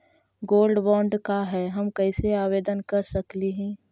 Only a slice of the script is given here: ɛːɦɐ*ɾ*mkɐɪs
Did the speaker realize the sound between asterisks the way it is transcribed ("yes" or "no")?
no